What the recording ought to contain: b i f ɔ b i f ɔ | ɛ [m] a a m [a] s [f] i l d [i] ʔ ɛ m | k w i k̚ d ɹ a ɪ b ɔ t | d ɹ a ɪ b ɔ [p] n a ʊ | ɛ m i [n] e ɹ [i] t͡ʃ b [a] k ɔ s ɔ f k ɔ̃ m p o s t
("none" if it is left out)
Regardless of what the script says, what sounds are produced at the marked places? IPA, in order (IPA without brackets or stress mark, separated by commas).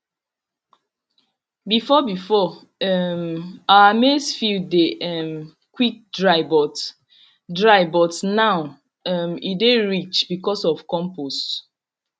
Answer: m, e, f, e, t, d, i, i